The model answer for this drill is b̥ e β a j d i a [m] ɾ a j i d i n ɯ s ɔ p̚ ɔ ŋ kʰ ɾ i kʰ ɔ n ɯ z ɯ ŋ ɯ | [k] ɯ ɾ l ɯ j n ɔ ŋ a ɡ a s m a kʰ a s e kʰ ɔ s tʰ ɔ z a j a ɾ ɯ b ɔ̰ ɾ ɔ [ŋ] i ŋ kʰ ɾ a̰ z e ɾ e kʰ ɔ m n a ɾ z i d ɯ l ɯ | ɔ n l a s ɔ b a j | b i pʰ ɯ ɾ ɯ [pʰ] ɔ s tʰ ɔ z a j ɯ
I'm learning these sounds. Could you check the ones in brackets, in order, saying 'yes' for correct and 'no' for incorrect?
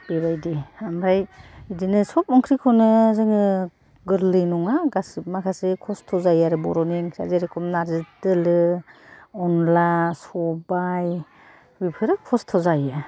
yes, no, no, no

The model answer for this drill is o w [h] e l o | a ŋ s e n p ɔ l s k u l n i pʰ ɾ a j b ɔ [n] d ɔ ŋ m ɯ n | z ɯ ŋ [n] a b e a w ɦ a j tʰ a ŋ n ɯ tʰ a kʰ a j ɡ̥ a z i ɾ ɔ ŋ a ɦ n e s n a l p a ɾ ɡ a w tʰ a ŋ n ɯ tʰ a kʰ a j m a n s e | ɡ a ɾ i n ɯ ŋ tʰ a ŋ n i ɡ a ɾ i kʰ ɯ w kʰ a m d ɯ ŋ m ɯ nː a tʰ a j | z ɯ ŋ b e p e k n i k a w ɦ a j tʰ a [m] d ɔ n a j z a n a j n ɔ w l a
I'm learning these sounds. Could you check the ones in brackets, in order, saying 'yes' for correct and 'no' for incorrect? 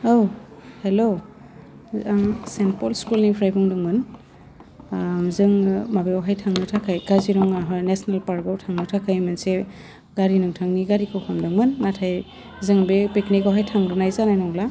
yes, no, no, no

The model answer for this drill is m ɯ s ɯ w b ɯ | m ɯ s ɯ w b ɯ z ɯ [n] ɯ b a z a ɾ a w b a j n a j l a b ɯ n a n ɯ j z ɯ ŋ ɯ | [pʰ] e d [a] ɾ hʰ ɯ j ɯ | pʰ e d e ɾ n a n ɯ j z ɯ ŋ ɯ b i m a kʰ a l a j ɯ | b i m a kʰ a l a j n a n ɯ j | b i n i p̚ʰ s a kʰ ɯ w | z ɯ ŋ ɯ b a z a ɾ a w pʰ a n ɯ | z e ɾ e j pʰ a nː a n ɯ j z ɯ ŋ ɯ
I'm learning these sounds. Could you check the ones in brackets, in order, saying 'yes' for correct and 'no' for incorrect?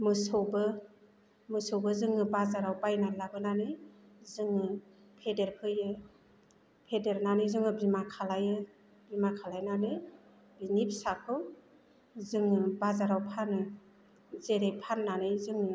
no, yes, no

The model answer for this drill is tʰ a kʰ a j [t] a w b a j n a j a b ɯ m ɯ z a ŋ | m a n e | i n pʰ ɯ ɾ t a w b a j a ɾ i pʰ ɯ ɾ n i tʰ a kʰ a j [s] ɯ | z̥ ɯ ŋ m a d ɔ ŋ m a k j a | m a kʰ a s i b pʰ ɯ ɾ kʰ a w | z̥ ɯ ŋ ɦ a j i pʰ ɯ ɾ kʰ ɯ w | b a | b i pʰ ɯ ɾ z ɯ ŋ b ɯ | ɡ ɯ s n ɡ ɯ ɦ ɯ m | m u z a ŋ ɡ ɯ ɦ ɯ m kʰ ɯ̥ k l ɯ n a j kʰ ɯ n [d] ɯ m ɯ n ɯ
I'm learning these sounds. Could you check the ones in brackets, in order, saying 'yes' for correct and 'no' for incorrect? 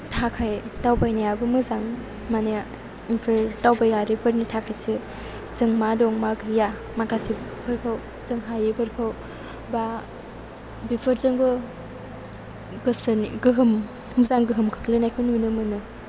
yes, yes, no

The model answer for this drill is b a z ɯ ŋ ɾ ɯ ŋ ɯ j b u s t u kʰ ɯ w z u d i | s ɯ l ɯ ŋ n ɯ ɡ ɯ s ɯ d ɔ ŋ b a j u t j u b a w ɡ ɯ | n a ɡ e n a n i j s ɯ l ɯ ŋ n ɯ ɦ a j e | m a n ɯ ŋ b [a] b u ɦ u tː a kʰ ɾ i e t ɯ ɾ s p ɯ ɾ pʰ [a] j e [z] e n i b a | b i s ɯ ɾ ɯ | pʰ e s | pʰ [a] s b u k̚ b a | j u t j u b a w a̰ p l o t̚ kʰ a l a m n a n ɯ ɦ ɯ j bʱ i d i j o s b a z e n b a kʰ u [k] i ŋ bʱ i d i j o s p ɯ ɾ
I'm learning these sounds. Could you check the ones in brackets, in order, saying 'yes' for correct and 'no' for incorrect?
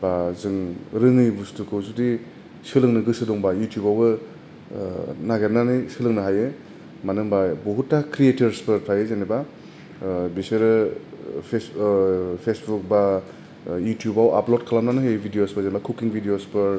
yes, yes, yes, no, yes

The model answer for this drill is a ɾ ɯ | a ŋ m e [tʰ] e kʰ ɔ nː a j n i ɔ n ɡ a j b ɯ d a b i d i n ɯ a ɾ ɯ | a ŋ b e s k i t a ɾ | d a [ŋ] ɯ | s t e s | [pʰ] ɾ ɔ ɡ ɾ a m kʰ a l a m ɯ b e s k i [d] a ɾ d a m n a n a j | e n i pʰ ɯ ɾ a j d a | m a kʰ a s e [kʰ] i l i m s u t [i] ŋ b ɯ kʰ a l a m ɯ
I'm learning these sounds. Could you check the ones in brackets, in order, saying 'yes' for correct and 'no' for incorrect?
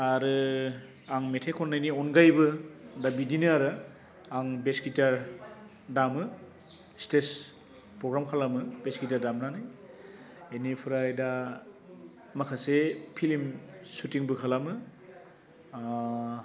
yes, no, no, no, no, yes

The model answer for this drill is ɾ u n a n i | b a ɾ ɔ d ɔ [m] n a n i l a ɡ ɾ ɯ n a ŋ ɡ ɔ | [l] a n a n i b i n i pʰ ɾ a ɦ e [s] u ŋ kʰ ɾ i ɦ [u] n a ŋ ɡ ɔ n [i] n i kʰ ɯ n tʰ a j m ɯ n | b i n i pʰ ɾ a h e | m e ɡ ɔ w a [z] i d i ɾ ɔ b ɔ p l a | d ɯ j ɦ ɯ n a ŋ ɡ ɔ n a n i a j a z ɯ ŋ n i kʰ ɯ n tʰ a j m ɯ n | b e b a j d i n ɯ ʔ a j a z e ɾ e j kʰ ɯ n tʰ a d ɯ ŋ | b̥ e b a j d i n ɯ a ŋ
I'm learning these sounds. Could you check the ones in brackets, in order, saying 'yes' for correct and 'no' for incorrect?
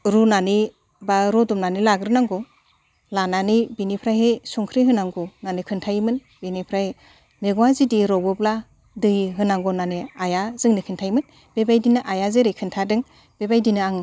yes, yes, yes, no, no, yes

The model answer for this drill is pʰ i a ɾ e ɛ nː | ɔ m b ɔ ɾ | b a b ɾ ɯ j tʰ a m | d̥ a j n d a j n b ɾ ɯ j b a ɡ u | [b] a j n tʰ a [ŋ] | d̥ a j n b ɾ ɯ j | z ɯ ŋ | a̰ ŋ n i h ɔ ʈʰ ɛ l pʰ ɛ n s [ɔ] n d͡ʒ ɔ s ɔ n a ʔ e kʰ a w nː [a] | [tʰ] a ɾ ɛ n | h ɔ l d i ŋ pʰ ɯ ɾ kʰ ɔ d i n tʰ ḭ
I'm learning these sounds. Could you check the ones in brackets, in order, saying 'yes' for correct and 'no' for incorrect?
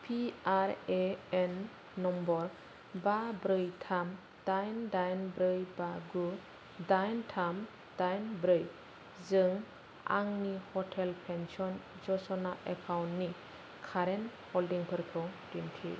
no, no, yes, no, no

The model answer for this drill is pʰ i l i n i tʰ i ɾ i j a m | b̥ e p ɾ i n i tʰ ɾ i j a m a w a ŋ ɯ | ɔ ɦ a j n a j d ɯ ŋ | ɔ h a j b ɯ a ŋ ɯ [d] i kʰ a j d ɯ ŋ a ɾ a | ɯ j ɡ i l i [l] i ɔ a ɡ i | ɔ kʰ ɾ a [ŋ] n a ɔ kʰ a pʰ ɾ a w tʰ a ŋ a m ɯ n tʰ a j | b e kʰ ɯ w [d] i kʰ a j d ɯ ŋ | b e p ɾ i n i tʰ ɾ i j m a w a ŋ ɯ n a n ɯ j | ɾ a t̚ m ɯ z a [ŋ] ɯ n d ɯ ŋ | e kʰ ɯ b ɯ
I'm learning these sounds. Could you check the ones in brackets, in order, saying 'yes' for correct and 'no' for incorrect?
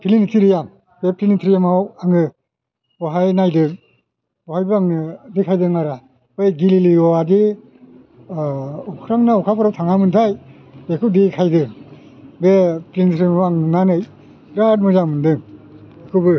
yes, yes, yes, yes, no

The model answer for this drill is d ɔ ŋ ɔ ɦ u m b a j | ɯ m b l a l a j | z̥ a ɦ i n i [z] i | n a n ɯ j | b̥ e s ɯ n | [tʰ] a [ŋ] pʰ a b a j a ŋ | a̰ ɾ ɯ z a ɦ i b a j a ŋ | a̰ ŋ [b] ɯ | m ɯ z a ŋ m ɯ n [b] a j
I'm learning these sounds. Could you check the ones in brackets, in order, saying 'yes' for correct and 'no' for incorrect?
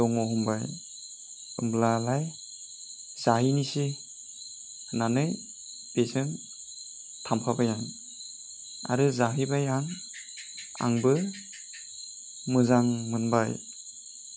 no, yes, no, yes, yes

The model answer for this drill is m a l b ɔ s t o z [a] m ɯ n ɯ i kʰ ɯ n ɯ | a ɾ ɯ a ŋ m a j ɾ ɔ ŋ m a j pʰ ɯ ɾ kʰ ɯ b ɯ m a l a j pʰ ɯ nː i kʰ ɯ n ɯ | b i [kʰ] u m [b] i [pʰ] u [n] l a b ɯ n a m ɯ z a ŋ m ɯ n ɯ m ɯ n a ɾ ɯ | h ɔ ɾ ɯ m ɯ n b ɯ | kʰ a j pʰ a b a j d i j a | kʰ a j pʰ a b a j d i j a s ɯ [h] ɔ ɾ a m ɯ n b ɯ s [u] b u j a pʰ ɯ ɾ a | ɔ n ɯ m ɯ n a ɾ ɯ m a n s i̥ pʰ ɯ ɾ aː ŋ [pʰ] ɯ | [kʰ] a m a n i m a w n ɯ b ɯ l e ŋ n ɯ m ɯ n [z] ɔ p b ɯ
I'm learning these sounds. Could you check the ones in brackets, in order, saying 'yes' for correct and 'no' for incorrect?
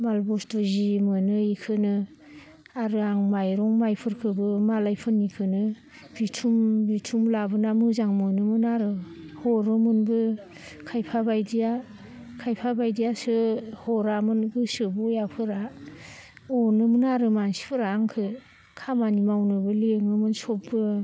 no, no, yes, no, no, yes, no, no, yes, no

